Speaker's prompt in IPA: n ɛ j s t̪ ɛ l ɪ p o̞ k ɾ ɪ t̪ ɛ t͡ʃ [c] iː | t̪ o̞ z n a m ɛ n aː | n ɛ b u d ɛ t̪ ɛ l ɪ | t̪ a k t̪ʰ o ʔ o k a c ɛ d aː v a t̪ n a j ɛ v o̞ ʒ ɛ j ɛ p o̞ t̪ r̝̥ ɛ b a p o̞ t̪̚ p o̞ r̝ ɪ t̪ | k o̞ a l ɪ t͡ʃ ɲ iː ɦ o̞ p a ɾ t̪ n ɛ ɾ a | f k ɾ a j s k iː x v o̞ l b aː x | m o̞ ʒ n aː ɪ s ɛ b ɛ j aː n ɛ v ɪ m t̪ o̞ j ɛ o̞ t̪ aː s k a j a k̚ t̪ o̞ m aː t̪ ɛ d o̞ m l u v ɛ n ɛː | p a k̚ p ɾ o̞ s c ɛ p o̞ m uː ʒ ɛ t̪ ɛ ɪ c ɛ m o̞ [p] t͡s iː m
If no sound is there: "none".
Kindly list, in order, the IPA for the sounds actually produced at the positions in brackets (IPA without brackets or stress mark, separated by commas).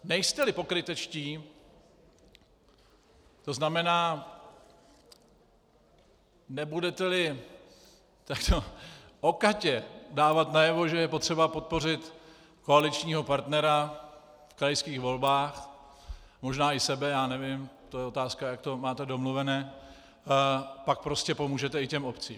c, p